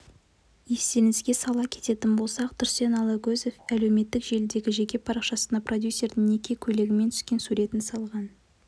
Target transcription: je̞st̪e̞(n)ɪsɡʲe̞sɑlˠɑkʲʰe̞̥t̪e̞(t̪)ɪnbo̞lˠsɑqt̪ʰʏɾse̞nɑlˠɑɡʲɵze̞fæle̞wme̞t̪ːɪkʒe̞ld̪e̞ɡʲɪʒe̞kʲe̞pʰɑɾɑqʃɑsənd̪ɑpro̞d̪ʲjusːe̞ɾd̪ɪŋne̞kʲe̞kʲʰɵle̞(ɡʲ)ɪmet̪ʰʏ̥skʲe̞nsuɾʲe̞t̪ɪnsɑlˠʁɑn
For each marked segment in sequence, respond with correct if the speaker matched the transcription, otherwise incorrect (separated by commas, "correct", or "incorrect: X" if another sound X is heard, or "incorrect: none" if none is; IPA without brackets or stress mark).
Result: correct, correct, correct